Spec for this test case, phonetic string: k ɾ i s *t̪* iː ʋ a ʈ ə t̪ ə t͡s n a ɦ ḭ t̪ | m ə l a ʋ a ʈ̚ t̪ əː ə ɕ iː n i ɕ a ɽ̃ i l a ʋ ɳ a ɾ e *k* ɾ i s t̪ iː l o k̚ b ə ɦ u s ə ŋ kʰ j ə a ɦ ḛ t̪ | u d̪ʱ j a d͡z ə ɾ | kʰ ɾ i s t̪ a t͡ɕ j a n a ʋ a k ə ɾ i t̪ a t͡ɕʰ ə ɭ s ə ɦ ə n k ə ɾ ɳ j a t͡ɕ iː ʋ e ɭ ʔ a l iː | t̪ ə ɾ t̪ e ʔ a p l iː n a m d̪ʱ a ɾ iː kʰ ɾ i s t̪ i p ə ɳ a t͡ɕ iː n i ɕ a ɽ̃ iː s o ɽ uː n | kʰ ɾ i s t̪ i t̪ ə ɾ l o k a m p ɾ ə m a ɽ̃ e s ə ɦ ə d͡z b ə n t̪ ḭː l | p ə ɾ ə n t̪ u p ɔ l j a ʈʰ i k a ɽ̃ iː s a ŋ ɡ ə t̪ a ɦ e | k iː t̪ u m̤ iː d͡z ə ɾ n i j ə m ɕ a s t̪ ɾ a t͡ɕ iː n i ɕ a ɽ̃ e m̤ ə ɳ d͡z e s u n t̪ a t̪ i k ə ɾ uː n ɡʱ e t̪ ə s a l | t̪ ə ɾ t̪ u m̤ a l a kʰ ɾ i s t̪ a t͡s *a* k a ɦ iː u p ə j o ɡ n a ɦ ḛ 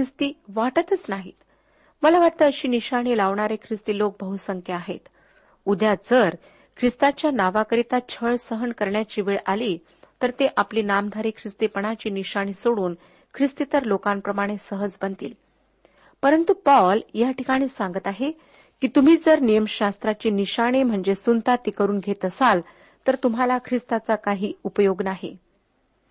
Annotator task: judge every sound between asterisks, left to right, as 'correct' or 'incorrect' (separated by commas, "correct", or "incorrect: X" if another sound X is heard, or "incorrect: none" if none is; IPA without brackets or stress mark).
correct, incorrect: kʰ, correct